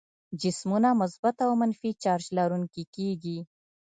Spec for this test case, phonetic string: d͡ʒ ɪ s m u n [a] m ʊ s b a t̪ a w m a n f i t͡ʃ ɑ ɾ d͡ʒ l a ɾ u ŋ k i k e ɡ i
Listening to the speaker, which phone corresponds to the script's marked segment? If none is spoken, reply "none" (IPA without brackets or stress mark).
a